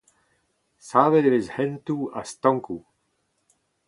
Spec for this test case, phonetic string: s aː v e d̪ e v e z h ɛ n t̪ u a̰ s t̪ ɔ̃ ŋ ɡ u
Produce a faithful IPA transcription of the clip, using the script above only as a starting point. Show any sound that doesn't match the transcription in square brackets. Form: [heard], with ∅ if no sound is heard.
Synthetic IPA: s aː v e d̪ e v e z h ɛ n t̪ u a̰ s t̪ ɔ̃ ŋ [k] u